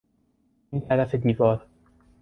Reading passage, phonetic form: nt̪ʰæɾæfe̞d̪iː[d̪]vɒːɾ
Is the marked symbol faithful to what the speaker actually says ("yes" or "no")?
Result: no